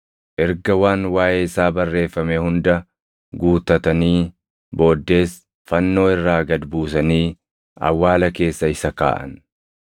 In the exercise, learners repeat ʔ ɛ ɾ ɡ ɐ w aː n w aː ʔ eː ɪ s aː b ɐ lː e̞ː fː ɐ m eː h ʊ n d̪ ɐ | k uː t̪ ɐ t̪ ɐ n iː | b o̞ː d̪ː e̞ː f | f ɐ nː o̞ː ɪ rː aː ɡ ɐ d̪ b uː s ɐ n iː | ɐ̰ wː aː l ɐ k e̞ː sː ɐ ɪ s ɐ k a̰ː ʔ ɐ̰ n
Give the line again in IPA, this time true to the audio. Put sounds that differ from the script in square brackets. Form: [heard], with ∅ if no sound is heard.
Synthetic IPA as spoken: ʔ ɛ ɾ ɡ ɐ w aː n w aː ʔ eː ɪ s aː b ɐ [rː] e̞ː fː ɐ m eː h ʊ n d̪ ɐ | [ɡ] uː t̪ ɐ t̪ ɐ n iː | b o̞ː d̪ː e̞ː [s] | f ɐ nː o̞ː ɪ rː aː ɡ ɐ d̪ b uː s ɐ n iː | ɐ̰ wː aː l ɐ k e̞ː sː ɐ ɪ s ɐ k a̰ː ʔ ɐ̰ n